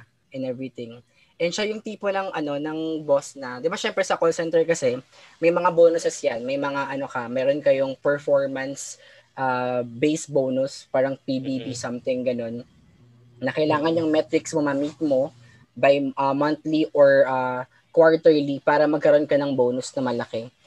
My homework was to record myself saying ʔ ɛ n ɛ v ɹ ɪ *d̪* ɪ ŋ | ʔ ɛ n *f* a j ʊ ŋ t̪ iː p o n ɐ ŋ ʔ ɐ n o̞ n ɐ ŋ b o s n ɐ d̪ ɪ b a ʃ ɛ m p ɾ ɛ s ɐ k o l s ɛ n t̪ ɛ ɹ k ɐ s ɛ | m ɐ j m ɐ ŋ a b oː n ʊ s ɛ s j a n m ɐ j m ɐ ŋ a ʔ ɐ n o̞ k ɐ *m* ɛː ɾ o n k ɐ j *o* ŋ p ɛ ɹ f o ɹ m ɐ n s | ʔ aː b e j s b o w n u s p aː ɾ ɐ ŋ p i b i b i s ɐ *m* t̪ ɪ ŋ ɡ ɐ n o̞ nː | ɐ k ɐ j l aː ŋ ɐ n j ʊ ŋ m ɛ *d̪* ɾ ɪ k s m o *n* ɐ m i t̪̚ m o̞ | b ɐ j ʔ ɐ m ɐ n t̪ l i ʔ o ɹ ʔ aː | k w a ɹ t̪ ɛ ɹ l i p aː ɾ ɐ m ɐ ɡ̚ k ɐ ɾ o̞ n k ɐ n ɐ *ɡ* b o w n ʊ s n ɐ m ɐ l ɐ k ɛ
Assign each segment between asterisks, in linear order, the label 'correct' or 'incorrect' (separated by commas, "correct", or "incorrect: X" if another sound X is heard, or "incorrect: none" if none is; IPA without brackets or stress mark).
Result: incorrect: t̪, incorrect: ʃ, correct, correct, correct, incorrect: t̪, incorrect: m, incorrect: ŋ